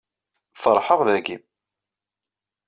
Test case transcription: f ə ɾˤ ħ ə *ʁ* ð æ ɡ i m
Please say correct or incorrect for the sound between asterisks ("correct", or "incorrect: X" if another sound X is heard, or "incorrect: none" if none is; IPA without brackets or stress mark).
correct